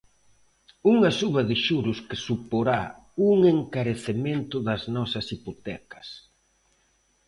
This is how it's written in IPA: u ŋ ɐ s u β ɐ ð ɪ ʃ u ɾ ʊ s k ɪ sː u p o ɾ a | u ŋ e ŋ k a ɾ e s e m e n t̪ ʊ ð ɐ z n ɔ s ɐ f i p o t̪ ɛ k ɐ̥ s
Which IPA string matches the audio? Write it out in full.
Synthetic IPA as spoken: u ŋ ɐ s u β ɐ ð ɪ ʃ u ɾ ʊ s k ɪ s u p o ɾ a | u ŋ e ŋ k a ɾ e θ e m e n t̪ ʊ ð ɐ z n ɔ s ɐ s i p o t̪ ɛ k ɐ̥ s